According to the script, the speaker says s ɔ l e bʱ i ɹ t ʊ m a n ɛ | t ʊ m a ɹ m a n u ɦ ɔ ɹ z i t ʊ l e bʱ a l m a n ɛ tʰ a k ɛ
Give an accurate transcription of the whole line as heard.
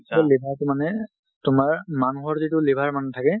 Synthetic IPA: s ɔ l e bʱ a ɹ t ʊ m a n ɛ | t ʊ m a ɹ m a n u ɦ ɔ ɹ z i t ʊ l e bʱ a ɹ m a n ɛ tʰ a k ɛ